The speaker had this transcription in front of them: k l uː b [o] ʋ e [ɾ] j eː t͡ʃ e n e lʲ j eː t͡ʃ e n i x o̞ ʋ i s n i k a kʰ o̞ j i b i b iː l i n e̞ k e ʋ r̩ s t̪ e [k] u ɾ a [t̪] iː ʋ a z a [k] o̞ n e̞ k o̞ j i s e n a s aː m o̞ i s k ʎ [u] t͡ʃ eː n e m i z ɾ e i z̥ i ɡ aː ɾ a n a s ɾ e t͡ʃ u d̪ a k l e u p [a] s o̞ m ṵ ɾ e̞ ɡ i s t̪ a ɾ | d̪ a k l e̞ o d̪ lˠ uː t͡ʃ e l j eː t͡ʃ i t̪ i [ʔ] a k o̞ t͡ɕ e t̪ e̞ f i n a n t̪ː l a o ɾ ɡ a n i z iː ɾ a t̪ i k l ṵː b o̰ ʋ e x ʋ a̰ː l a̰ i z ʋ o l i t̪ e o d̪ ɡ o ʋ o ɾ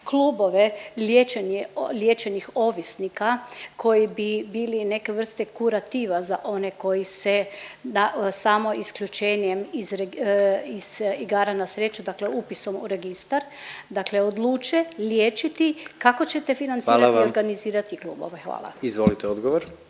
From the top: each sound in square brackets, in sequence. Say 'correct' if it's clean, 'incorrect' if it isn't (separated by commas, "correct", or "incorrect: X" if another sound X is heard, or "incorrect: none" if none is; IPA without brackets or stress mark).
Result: correct, incorrect: l, correct, correct, incorrect: ʔ, correct, incorrect: i, incorrect: k